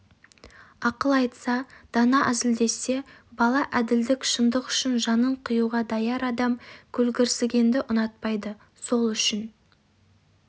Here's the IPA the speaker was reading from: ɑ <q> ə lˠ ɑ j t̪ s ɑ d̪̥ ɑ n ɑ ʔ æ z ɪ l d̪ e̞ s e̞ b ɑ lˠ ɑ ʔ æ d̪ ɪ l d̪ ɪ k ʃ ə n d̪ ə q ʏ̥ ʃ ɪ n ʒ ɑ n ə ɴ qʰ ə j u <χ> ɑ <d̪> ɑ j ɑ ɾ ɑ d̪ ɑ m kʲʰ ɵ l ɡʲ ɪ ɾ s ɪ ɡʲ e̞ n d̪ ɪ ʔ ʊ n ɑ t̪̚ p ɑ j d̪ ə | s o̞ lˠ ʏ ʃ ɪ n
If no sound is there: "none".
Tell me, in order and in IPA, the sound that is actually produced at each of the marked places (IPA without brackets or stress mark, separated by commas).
q, ʁ, d̪